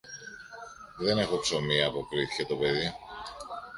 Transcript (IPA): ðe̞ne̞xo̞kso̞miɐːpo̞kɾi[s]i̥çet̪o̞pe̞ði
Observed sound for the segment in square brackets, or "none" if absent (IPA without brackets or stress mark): θ